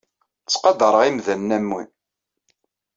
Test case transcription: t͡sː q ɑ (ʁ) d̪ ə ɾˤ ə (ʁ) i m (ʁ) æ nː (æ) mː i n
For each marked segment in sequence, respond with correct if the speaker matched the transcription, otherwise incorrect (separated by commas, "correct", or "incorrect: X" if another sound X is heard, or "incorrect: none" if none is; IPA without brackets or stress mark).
incorrect: none, correct, incorrect: ð, correct